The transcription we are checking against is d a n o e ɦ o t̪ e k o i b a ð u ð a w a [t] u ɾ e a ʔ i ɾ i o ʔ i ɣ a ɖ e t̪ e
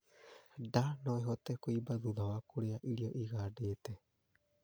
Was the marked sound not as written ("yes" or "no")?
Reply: yes